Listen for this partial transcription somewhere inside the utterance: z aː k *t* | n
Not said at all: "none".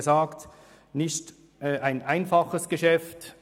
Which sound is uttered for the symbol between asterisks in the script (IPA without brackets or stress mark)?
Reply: t